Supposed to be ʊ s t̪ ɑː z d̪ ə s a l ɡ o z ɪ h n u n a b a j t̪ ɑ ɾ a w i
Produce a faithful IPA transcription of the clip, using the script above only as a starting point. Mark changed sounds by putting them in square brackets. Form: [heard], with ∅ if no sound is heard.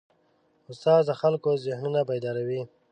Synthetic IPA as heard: ʊ s t̪ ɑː z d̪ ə [x] a l [k] o z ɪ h n u n a b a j [d̪] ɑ ɾ a w i

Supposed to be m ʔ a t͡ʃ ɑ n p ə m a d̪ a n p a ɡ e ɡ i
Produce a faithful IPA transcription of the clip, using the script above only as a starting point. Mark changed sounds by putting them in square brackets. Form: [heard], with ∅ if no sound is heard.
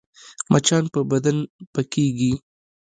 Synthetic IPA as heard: m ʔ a t͡ʃ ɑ n p ə [b] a d̪ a n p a [k] e ɡ i

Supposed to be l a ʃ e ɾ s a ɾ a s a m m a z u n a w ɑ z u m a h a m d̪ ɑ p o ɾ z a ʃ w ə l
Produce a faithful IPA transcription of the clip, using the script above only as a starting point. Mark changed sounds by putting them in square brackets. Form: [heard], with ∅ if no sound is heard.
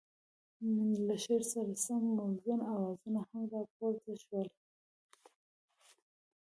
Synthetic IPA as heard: l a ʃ e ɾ s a ɾ a s a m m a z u n a w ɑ z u [n] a h a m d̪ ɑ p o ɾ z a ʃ w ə l

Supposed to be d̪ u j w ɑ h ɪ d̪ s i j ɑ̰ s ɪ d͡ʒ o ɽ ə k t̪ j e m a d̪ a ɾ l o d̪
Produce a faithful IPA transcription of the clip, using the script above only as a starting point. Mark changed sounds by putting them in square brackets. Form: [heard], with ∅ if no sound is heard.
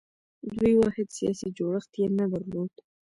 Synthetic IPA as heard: d̪ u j w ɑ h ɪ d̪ s i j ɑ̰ s [i] d͡ʒ o ɽ ə [x] t̪ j e [n] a d̪ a ɾ l o d̪

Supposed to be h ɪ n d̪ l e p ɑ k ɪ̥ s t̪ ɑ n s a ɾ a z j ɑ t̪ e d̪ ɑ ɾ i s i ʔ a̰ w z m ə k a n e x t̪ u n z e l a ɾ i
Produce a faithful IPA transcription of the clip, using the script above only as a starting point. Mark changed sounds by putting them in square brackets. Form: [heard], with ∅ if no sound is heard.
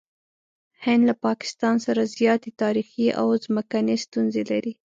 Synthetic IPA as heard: h ɪ n d̪ l [a] p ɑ k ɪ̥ s t̪ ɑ n s a ɾ a z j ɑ t̪ e [t̪] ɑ ɾ i [x] i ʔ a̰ w z m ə k a n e [s] t̪ u n z e l a ɾ i

